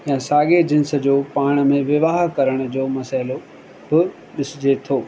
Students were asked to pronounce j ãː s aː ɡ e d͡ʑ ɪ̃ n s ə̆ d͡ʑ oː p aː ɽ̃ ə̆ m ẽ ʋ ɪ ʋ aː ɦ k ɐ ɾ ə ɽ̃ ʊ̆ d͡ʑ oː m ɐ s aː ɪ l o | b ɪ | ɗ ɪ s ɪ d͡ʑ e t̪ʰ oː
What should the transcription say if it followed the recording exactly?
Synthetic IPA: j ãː s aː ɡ e d͡ʑ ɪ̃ n s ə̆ d͡ʑ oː p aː ɽ̃ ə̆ m ẽ ʋ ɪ ʋ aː ɦ k ɐ ɾ ə ɽ̃ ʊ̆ d͡ʑ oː m ɐ s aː ɪ l o | b ɪ | ɗ ɪ s ɪ d͡ʑ e t̪ʰ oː

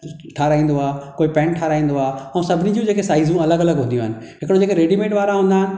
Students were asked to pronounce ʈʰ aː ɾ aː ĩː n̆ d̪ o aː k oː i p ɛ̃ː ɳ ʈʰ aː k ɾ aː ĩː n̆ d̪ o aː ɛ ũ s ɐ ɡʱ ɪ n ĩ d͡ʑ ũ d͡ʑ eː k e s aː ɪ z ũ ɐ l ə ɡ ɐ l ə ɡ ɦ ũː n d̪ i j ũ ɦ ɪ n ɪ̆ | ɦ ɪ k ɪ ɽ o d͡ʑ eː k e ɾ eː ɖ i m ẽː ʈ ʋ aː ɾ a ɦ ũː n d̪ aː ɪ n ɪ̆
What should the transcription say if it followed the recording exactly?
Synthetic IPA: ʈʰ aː ɾ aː ĩː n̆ d̪ o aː k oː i p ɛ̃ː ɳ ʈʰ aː ɾ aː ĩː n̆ d̪ o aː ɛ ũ s ɐ bʱ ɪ n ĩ d͡ʑ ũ d͡ʑ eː k e s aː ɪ z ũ ɐ l ə ɡ ɐ l ə ɡ ɦ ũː n d̪ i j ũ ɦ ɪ n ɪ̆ | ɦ ɪ k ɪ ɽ o d͡ʑ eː k e ɾ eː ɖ i m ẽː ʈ ʋ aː ɾ a ɦ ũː n d̪ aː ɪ n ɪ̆

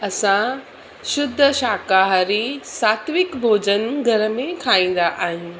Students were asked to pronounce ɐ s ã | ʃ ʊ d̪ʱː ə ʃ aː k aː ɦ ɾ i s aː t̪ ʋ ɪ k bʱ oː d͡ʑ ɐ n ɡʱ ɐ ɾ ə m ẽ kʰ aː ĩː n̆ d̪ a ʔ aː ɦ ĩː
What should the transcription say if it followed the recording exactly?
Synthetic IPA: ɐ s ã | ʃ ʊ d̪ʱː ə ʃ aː k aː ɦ ɾ i s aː t̪ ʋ ɪ k bʱ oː d͡ʑ ə n ɡʱ ɐ ɾ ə m ẽ kʰ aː ĩː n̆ d̪ a ʔ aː ɦ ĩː

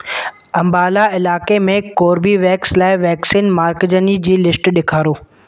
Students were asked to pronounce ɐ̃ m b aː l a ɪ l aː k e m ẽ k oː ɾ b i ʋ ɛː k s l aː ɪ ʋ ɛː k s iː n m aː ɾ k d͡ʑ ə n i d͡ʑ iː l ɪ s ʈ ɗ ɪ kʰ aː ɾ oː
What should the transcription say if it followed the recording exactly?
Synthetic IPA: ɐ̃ m b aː l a ɪ l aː k e m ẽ k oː ɾ b i ʋ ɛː k s l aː ɪ ʋ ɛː k s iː n m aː ɾ k d͡ʑ ə n i d͡ʑ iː l ɪ s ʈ ɗ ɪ kʰ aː ɾ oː

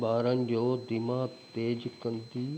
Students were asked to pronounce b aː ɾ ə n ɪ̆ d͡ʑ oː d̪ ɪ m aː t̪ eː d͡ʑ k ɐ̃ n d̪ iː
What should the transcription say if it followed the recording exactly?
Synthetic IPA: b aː ɾ ə n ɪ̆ d͡ʑ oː d̪ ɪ m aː t̪ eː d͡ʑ k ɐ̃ n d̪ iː

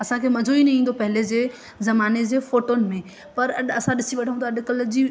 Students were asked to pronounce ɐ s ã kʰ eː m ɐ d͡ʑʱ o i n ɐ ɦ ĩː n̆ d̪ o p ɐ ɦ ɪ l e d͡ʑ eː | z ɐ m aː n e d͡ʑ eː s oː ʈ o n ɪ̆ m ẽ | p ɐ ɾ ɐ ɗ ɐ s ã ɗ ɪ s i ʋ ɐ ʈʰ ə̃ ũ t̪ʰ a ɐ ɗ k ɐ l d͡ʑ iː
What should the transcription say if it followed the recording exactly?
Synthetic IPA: ɐ s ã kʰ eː m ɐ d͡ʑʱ o i n ɐ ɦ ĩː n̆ d̪ o p ɐ ɦ ɪ l e d͡ʑ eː | z ɐ m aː n e d͡ʑ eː f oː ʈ o n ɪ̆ m ẽ | p ɐ ɾ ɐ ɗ ɐ s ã ɗ ɪ s i ʋ ɐ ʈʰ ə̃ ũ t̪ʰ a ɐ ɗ k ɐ l d͡ʑ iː

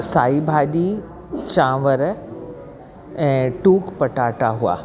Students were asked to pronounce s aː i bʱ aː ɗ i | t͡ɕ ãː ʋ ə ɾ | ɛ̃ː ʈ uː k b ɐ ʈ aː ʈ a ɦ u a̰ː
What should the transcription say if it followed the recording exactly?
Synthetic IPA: s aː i bʱ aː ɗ i | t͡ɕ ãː ʋ ə ɾ | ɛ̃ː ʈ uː k p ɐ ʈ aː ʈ a ɦ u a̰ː

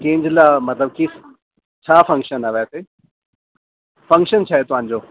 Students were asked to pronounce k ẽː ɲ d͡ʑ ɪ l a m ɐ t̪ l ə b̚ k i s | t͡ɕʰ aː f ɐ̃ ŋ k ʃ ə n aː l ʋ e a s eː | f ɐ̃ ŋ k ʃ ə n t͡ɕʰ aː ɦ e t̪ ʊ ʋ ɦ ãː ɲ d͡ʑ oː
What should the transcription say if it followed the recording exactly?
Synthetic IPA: k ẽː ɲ d͡ʑ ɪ l a m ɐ t̪ l ə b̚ k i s | t͡ɕʰ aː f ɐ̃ ŋ k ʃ ə n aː ʋ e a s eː | f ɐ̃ ŋ k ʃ ə n t͡ɕʰ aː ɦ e t̪ ʊ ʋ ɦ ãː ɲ d͡ʑ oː

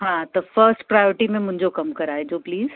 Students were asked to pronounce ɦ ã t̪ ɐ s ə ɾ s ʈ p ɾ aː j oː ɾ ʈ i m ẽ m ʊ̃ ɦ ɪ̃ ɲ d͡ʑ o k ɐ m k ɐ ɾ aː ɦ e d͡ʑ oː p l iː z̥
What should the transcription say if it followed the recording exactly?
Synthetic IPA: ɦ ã t̪ ɐ f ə ɾ s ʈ p ɾ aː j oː ɾ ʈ i m ẽ m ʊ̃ ɦ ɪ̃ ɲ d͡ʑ o k ɐ m k ɐ ɾ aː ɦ e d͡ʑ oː p l iː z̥

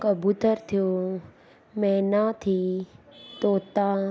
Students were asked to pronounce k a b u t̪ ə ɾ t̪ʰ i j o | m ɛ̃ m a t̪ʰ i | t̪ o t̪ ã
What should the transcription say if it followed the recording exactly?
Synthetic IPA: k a b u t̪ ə ɾ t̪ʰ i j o | m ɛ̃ n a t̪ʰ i | t̪ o t̪ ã

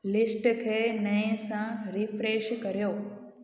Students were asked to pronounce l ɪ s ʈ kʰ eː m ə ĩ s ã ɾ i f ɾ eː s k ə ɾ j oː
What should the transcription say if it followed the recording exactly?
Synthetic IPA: l ɪ s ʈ kʰ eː n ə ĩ s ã ɾ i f ɾ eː ʃ k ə ɾ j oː

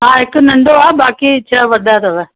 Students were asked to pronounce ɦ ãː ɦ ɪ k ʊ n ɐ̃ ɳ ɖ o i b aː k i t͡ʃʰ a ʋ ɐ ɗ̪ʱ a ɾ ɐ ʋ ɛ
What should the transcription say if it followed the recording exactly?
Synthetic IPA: ɦ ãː ɦ ɪ k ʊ n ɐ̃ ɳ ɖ o a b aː k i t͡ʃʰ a ʋ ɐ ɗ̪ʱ a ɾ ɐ ʋ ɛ

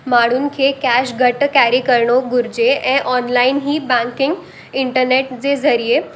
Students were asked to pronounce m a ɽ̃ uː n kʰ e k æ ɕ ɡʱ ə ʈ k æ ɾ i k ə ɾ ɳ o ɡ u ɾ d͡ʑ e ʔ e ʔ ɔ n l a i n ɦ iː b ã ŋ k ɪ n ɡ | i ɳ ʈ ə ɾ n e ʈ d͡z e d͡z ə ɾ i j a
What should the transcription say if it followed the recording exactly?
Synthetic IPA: m a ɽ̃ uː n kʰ e k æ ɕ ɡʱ ə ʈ k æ ɾ i k ə ɾ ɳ o ɡ u ɾ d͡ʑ e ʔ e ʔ ɔ n l a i n ɦ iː b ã ŋ k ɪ ŋ ɡ | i ɳ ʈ ə ɾ n e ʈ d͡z e d͡z ə ɾ i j e

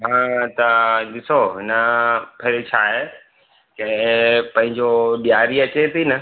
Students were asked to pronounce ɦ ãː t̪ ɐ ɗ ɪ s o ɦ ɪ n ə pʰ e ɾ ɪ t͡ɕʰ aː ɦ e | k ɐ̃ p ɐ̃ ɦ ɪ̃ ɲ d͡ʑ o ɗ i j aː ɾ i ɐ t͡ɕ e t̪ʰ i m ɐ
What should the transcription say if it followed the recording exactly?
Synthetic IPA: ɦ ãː t̪ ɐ ɗ ɪ s o ɦ ɪ n ə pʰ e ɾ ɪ t͡ɕʰ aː ɦ e | k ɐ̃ p ɐ̃ ɦ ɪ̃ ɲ d͡ʑ o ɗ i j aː ɾ i ɐ t͡ɕ e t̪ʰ i n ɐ

